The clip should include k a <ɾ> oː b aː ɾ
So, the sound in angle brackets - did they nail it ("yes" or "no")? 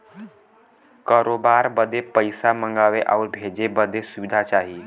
yes